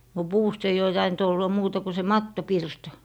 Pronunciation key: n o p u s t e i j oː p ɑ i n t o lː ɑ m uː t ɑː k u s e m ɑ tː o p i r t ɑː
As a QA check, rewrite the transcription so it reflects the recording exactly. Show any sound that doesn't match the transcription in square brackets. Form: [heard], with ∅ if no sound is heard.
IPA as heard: n o p [uː] s t e i j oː [t] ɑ i n t o lː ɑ m uː t [ɑ] k u s e m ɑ tː o p i r t [ɑ]